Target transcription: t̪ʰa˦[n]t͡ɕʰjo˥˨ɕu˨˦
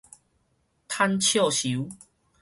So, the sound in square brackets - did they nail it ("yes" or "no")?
yes